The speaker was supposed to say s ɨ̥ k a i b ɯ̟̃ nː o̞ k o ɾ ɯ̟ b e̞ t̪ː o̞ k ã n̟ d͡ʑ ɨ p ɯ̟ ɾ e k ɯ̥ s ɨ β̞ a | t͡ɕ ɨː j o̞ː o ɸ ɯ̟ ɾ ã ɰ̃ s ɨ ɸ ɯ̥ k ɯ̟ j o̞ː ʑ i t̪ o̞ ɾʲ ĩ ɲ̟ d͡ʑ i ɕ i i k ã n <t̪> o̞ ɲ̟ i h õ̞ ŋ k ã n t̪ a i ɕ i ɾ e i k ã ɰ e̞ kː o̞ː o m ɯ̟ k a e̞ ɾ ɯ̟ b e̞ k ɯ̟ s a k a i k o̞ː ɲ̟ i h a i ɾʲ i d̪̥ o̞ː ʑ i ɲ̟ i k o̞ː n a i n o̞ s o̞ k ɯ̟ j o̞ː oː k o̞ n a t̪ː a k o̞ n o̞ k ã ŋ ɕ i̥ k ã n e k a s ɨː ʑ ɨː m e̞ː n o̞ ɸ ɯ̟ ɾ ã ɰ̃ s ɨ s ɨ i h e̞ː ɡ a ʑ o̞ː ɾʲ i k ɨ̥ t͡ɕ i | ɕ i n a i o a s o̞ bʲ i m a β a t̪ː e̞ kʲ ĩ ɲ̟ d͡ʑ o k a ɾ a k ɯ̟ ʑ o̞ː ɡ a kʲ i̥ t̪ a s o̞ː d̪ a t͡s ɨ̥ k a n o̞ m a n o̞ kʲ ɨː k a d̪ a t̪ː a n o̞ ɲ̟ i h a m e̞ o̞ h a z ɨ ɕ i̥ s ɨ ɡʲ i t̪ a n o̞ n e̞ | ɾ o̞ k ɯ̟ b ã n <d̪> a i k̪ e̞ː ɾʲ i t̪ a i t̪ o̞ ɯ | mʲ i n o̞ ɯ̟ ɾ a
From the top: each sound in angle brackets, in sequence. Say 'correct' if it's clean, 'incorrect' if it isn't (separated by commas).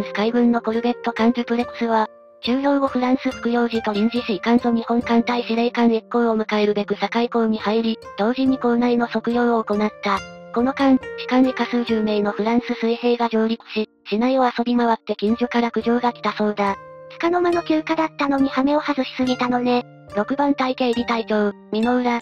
correct, incorrect